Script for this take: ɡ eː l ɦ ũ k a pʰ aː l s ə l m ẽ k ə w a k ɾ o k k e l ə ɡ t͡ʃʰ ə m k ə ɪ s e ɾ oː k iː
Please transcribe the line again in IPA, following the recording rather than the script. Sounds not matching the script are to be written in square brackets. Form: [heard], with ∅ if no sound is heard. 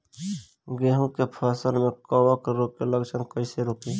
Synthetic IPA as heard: ɡ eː [∅] ɦ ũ k [e] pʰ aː [∅] s ə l m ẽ k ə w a k ɾ o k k e l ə ɡ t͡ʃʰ ə [n] k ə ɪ s e ɾ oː k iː